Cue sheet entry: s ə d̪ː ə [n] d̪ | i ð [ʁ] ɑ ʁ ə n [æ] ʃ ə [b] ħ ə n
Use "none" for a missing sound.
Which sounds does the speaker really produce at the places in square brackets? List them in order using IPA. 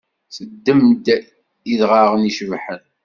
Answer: m, ʁ, i, v

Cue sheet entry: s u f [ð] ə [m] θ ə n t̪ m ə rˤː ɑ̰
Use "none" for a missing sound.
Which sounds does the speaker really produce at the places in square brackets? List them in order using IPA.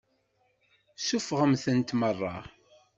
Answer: ʁ, m

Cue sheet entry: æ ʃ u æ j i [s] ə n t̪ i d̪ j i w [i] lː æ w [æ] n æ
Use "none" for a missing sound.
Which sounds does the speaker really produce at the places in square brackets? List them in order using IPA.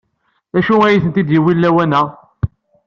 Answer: θ, i, æ

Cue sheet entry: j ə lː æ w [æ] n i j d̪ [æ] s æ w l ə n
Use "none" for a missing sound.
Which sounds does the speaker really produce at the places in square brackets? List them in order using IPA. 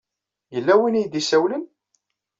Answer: i, i

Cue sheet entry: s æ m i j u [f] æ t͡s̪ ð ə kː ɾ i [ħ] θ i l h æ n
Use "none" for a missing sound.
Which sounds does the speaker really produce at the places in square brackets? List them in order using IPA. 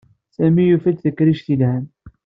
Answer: f, ʃ

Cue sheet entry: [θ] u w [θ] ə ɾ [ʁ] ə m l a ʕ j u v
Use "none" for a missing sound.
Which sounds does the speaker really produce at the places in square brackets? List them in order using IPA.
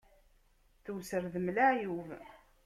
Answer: θ, s, ð

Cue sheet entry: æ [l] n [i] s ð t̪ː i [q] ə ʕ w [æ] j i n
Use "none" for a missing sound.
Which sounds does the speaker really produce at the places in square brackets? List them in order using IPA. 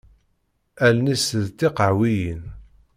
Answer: l, i, q, i

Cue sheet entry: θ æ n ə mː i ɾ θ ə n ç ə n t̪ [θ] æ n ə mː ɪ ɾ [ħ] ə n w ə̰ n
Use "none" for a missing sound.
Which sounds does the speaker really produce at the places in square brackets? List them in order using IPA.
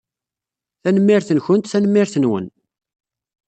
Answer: θ, θ

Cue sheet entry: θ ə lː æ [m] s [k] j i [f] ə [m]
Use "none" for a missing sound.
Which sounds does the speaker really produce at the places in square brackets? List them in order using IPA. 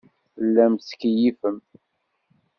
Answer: m, k, f, m

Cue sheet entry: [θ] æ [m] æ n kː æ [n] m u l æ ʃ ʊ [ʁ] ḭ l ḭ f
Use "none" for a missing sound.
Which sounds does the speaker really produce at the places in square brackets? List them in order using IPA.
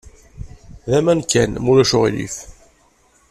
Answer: ð, m, n, ʁ

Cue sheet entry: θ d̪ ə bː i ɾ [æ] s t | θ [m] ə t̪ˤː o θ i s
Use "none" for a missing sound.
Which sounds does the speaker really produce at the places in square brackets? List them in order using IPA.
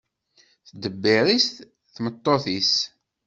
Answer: i, m

